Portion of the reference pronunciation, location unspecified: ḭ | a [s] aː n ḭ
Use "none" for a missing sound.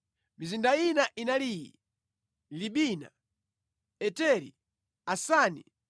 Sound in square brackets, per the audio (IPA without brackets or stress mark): s